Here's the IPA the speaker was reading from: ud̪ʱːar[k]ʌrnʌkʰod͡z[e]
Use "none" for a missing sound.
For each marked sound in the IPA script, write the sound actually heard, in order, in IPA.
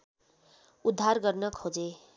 ɡ, e

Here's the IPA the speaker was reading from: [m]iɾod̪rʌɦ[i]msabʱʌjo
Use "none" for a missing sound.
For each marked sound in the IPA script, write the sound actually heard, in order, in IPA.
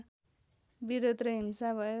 b, i

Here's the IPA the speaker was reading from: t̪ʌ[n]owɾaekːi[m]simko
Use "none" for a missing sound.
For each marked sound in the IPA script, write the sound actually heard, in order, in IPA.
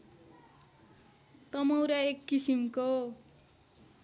m, none

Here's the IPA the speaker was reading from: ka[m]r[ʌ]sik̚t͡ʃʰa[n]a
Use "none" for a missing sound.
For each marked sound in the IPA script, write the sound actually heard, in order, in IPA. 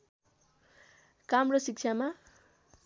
m, ʌ, m

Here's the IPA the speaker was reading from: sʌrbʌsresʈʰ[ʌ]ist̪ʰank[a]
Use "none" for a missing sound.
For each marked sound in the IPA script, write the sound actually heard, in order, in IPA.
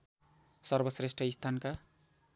ʌ, a

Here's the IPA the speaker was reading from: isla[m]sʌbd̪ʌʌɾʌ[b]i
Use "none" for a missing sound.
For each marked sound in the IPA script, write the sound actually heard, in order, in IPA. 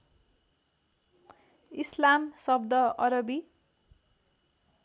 m, b

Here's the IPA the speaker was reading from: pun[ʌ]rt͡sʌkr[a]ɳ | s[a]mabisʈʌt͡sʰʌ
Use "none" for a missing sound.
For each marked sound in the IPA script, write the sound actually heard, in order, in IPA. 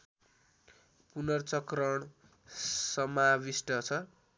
ʌ, ʌ, ʌ

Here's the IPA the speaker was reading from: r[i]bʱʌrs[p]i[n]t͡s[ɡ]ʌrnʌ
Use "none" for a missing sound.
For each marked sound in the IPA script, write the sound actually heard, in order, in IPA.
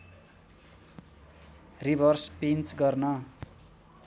i, p, n, ɡ

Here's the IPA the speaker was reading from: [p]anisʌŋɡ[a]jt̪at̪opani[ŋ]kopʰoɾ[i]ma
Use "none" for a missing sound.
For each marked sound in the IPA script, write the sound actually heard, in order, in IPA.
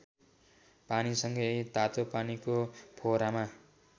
p, ʌ, none, a

